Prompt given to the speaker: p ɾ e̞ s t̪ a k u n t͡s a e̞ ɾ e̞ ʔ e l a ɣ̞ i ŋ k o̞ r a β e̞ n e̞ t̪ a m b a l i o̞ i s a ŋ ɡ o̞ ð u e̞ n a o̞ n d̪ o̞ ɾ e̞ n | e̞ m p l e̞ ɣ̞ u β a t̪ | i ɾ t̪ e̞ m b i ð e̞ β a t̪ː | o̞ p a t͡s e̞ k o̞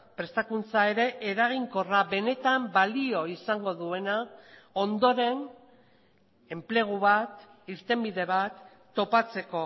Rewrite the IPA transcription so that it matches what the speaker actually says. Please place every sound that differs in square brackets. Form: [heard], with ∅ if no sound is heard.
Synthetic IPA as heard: p ɾ e̞ s t̪ a k u n t͡s a e̞ ɾ e̞ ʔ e [ɾ] a ɣ̞ i ŋ k o̞ r a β e̞ n e̞ t̪ a m b a l i o̞ i s a ŋ ɡ o̞ ð u e̞ n a o̞ n d̪ o̞ ɾ e̞ n | e̞ m p l e̞ ɣ̞ u β a t̪ | i ɾ t̪ e̞ m b i ð e̞ β a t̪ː | o̞ p a t͡s e̞ k o̞